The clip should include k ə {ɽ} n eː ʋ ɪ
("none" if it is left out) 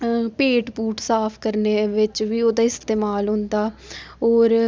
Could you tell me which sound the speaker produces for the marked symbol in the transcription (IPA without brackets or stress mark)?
ɾ